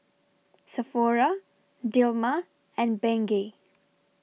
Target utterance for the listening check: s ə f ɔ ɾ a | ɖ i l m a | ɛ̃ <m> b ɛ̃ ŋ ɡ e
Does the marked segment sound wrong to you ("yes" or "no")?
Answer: yes